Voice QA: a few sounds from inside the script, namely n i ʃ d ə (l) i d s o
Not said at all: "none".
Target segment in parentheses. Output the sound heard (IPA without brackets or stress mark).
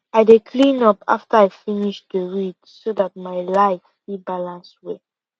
ɹ